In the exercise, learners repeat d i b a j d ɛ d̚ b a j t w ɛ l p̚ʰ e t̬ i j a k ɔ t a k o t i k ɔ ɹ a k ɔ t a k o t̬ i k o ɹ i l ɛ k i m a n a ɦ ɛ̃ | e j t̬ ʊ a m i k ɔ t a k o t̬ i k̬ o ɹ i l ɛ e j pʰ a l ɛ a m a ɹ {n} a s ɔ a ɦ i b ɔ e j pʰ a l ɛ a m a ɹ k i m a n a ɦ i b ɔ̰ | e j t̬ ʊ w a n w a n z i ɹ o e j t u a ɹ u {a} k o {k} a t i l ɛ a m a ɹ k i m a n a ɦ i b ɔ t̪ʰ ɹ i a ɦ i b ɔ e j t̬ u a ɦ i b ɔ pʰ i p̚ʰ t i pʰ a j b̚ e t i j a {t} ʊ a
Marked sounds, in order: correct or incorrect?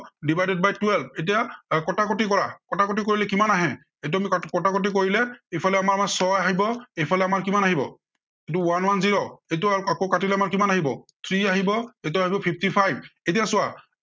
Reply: incorrect: m, correct, correct, incorrect: s

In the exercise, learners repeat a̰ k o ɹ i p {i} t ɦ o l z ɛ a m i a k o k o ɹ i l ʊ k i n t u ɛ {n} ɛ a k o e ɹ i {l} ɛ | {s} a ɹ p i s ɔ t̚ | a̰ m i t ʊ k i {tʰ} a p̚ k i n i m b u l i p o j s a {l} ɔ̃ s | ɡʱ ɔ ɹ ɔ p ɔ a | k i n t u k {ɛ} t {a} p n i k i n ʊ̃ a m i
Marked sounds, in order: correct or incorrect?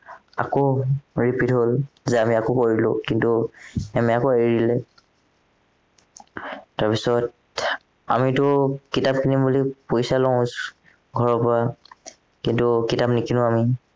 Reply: correct, incorrect: m, correct, incorrect: t, incorrect: t, correct, incorrect: i, correct

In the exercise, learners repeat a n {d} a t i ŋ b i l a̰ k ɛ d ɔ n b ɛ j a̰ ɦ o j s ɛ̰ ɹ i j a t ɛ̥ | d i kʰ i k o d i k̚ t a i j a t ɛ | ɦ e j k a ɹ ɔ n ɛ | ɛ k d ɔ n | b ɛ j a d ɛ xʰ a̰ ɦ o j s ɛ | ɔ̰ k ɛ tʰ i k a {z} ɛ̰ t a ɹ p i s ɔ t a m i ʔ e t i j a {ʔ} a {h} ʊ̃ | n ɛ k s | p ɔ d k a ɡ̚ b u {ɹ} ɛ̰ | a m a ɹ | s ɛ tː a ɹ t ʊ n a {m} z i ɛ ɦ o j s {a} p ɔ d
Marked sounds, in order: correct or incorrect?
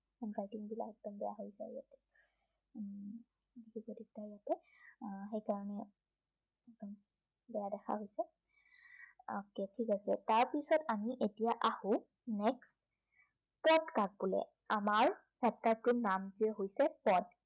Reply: incorrect: ɡ, incorrect: s, correct, correct, incorrect: l, correct, incorrect: ɛ

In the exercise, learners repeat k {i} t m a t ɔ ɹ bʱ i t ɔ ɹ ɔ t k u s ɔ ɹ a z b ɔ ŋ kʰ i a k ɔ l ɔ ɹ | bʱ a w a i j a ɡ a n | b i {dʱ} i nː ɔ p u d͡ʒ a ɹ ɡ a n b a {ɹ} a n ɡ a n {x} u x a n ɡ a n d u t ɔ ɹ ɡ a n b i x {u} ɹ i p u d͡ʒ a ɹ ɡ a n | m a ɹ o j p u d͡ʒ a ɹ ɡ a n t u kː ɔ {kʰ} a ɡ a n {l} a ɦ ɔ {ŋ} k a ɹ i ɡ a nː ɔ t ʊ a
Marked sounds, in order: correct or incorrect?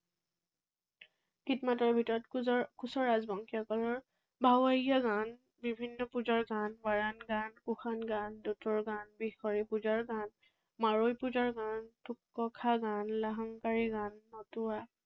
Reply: correct, incorrect: bʱ, correct, incorrect: k, incorrect: ɔ, correct, correct, correct

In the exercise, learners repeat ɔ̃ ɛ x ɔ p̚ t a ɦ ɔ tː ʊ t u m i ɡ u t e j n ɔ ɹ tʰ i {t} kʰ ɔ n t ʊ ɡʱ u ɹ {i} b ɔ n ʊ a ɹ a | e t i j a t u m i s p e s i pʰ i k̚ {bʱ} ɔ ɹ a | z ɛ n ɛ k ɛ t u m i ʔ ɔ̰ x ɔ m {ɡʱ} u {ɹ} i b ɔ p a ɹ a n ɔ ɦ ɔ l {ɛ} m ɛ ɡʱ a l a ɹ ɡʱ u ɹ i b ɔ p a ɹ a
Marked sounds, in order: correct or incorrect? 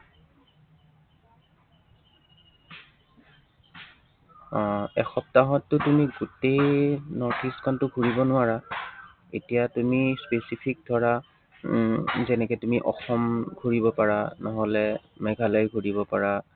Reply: incorrect: s, correct, incorrect: dʱ, correct, correct, correct

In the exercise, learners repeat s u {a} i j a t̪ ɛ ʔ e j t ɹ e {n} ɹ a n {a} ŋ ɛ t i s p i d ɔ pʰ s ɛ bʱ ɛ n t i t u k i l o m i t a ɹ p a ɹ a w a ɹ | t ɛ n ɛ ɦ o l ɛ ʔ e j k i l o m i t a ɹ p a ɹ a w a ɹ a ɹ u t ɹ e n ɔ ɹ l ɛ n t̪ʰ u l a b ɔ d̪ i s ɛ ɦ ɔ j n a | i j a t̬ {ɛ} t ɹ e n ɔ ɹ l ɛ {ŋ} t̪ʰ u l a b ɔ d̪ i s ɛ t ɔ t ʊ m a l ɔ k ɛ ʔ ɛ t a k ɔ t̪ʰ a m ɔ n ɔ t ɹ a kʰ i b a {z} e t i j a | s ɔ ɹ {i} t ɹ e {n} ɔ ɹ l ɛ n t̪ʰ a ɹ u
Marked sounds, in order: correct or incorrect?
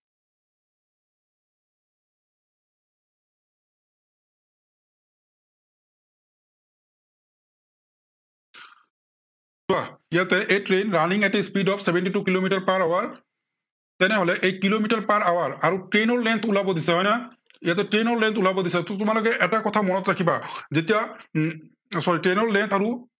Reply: correct, correct, incorrect: i, correct, incorrect: n, correct, correct, correct

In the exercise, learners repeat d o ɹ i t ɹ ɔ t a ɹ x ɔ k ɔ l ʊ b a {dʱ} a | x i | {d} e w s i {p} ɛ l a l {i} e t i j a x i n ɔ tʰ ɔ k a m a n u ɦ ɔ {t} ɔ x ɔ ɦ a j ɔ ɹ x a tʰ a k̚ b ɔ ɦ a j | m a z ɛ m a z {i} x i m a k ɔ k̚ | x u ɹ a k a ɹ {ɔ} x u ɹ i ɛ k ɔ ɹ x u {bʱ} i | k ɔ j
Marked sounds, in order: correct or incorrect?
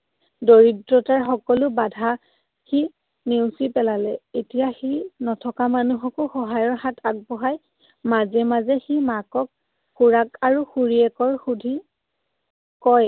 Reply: correct, incorrect: n, correct, incorrect: ɛ, incorrect: k, incorrect: ɛ, incorrect: u, incorrect: dʱ

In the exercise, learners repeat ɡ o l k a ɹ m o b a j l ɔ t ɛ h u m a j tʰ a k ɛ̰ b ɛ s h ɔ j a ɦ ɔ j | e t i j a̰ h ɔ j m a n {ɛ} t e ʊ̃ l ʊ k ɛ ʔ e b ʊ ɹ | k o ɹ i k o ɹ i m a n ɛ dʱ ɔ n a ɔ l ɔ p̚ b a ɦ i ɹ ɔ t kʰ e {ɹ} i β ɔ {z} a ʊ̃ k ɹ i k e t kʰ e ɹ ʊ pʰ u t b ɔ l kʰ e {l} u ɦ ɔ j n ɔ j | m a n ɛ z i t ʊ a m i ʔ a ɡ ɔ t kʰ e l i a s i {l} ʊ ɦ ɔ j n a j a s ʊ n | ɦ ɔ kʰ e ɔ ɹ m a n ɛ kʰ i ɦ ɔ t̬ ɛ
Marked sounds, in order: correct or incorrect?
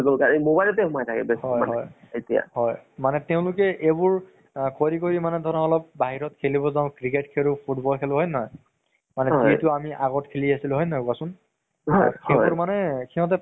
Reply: correct, incorrect: l, correct, correct, correct

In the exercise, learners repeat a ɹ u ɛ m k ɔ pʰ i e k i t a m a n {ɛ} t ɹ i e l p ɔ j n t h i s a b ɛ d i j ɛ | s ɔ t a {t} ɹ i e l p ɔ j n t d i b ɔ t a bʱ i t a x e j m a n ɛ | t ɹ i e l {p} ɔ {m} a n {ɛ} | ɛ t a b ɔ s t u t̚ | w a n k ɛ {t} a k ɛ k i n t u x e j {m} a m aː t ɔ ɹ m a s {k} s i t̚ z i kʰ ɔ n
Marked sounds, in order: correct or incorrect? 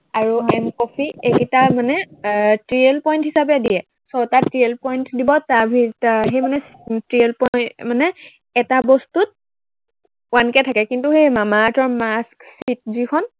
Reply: correct, correct, correct, correct, correct, incorrect: tʰ, correct, correct

